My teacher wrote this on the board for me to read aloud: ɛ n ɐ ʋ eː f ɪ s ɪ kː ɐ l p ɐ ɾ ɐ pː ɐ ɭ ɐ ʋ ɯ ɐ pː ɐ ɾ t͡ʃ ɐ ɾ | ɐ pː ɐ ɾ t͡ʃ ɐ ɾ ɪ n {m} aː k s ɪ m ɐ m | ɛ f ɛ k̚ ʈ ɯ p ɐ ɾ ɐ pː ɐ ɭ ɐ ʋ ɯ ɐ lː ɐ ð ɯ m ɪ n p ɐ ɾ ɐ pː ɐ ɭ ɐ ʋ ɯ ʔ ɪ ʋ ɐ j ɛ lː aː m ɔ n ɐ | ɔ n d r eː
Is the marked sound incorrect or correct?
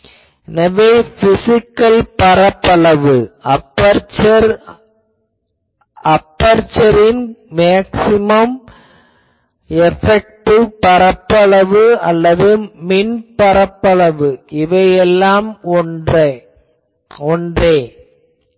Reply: correct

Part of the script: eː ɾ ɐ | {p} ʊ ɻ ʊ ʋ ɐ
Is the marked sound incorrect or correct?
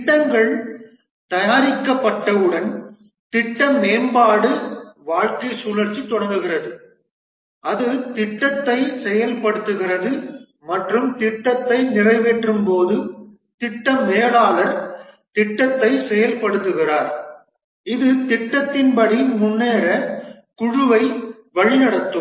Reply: incorrect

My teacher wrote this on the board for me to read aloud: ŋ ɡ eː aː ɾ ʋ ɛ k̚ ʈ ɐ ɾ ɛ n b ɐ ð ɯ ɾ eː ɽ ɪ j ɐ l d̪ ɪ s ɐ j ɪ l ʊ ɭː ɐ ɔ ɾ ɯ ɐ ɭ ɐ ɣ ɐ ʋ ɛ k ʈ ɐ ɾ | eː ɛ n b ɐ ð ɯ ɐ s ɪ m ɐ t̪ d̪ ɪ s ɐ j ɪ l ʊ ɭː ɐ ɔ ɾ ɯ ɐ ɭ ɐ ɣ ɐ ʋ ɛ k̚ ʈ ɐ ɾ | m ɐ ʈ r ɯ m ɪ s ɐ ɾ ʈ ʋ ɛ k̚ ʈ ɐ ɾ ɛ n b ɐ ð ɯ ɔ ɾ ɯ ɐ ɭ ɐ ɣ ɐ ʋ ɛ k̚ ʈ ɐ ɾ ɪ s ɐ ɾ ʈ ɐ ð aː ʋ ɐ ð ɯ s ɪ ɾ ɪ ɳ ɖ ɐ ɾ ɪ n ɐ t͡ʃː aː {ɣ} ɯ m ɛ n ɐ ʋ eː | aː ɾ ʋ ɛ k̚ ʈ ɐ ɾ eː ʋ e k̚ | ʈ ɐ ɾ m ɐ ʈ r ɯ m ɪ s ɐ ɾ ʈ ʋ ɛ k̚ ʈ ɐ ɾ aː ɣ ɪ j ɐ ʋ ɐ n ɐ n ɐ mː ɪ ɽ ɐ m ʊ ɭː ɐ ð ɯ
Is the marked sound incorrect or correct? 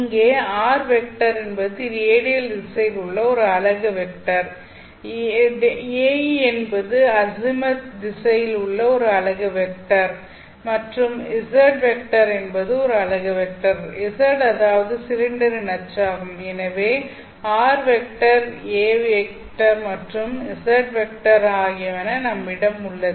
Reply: correct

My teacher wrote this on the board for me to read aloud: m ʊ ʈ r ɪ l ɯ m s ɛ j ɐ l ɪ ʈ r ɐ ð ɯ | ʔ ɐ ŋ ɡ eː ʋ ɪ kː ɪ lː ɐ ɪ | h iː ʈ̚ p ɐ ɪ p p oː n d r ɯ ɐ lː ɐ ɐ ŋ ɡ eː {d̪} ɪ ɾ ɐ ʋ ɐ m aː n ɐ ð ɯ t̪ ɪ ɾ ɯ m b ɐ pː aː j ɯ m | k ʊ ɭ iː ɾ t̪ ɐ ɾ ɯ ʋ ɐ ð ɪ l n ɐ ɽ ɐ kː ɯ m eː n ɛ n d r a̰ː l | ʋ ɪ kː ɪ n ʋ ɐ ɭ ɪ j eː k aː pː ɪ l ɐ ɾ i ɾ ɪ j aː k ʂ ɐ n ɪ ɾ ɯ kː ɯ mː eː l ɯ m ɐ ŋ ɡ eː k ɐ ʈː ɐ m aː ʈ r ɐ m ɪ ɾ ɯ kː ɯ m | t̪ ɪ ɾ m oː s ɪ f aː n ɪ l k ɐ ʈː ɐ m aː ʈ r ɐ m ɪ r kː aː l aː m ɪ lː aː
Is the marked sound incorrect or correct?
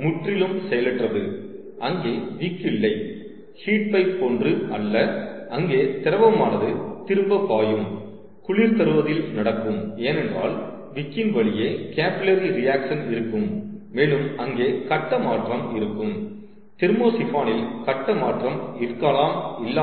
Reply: incorrect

